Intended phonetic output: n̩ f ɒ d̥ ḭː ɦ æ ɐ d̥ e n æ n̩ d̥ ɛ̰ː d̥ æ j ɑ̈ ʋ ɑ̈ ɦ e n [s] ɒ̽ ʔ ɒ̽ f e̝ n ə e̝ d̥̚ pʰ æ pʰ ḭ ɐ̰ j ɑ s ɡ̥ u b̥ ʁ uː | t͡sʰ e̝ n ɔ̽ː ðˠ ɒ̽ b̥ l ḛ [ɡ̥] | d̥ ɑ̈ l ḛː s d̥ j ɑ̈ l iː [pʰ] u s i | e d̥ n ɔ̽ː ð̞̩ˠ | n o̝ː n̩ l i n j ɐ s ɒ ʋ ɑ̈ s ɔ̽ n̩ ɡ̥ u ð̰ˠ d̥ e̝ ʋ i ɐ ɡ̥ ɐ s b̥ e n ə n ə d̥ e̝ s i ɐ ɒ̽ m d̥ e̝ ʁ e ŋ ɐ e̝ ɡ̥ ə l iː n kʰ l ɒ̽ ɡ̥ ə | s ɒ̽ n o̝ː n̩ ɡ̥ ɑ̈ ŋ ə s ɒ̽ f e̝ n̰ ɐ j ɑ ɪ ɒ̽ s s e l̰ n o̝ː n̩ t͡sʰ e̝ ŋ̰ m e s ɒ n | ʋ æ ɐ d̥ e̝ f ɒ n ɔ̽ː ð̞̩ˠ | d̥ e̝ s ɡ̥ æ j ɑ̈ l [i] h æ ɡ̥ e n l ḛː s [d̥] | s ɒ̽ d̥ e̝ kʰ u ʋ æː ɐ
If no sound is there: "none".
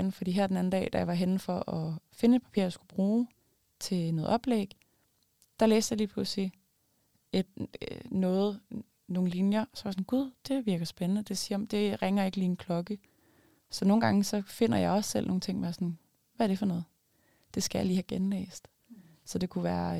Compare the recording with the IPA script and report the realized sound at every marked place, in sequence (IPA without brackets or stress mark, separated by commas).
f, ɡ̥, pʰ, iː, d̥